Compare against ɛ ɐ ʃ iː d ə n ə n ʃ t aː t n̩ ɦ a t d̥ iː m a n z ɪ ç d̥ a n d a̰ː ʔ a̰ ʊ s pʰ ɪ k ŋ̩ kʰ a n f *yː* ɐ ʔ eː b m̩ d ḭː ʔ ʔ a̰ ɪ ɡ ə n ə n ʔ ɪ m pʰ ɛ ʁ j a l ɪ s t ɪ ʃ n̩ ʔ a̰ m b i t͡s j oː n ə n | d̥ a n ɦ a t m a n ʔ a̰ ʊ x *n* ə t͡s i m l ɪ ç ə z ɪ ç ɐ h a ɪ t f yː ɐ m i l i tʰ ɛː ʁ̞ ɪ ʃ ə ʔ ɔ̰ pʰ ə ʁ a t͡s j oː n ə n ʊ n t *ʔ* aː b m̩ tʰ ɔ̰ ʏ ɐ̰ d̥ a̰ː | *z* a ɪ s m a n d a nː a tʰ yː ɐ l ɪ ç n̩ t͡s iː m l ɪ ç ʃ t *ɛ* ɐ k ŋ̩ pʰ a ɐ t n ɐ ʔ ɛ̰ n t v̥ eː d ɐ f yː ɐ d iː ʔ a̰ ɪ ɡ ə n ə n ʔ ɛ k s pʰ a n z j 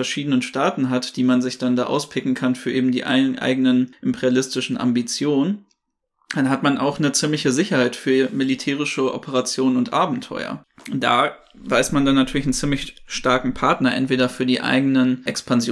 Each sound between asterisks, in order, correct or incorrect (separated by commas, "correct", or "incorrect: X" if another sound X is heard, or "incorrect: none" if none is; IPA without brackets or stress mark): correct, correct, correct, incorrect: v, incorrect: a